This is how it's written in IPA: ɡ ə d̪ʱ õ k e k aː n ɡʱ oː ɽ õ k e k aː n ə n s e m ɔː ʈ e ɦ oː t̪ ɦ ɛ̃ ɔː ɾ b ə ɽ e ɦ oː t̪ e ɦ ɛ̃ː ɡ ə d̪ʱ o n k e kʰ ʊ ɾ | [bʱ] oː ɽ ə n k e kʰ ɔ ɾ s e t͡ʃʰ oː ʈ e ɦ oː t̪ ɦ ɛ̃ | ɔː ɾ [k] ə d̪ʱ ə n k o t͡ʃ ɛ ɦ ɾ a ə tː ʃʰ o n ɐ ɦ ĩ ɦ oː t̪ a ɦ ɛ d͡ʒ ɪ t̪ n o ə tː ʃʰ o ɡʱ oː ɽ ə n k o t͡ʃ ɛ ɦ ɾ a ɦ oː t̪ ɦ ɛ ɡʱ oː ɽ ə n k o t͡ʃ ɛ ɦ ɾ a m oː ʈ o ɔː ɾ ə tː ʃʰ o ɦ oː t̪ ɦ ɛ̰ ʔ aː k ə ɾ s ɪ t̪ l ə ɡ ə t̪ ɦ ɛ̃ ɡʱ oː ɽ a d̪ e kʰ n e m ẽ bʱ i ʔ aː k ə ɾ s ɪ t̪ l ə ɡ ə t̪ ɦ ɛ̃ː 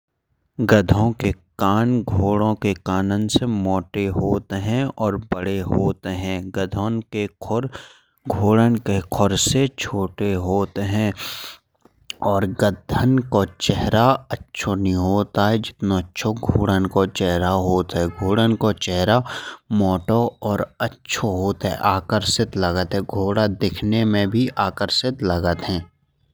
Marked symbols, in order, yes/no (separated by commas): no, no